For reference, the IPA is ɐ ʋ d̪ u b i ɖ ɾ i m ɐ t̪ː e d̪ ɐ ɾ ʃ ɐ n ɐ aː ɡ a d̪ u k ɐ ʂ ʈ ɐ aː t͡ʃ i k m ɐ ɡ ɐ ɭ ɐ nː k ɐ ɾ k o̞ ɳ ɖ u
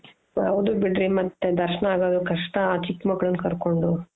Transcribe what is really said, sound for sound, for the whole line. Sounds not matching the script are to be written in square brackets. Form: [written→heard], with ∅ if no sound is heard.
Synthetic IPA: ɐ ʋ d̪ u b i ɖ ɾ i m ɐ t̪ː e d̪ ɐ ɾ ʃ ɐ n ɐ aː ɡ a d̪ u k ɐ ʂ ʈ ɐ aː t͡ʃ i k m ɐ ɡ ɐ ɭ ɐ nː k ɐ ɾ k o̞ ɳ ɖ u